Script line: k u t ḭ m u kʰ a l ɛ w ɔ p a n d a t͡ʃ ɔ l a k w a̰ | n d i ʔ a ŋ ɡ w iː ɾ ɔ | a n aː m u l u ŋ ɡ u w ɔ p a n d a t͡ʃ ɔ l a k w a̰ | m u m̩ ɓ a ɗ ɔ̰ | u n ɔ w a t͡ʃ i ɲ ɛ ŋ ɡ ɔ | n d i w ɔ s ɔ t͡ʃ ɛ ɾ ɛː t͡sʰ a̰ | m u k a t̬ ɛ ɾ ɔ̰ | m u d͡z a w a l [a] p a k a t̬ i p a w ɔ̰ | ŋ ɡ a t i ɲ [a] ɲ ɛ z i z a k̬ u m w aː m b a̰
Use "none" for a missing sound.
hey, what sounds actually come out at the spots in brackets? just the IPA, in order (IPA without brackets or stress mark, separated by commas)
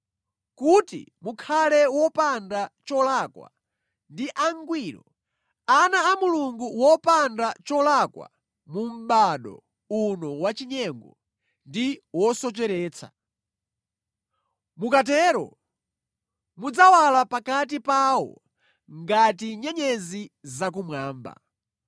a, ɛ